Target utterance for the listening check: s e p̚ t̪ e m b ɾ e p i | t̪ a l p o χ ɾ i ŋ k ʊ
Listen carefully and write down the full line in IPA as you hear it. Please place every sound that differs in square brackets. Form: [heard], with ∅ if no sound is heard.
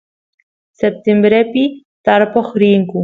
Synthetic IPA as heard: s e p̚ t̪ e m b ɾ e p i | t̪ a [ɾ] p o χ ɾ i ŋ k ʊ